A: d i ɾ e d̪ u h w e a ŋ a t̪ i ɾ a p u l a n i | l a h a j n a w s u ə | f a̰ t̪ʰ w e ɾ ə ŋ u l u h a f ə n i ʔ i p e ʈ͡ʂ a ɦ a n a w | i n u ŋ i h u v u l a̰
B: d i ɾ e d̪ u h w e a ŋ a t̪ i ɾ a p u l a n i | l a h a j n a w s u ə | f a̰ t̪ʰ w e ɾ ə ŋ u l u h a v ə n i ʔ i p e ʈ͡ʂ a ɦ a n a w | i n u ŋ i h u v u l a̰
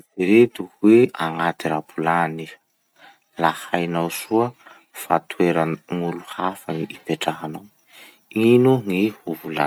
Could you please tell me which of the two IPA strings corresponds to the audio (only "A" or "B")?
A